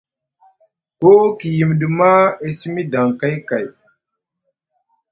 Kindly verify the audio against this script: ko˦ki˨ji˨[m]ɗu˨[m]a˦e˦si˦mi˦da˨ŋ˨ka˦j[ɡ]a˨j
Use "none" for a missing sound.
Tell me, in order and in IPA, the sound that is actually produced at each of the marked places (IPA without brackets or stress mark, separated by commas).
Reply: m, m, k